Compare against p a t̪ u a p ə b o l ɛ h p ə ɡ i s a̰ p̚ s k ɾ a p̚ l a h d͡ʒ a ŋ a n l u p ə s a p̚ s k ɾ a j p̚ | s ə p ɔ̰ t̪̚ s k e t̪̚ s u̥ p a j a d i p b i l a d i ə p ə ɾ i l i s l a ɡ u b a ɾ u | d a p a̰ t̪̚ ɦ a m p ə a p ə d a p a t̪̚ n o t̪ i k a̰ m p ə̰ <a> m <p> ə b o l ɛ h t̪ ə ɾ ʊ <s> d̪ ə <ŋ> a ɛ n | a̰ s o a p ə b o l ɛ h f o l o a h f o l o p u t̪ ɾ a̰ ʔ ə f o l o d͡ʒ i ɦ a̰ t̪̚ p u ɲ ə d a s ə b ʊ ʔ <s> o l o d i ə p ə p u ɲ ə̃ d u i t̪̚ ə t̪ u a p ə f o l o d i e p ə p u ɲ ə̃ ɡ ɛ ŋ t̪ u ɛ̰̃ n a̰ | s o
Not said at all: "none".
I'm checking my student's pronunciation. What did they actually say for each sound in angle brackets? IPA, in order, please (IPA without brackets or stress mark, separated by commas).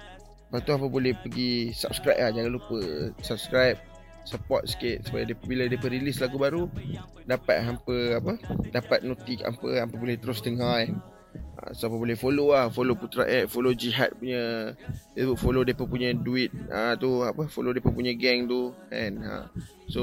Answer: a, p, s, ŋ, f